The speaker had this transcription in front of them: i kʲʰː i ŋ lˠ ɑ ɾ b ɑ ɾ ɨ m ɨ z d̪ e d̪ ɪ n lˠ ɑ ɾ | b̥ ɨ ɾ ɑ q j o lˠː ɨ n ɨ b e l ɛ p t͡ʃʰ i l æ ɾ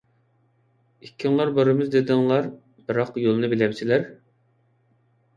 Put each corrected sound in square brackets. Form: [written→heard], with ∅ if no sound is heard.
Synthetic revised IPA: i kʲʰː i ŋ lˠ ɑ ɾ b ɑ ɾ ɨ m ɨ z d̪ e d̪ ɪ [n→ŋ] lˠ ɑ ɾ | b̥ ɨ ɾ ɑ q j o [lˠː→lˠ] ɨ n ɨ b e l ɛ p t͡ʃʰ i l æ ɾ